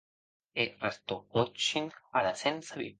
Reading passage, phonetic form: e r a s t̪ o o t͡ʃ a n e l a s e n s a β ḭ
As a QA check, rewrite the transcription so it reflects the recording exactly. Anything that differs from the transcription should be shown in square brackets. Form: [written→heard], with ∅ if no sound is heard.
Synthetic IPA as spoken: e r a s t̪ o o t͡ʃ [a→i] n [e→a] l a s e n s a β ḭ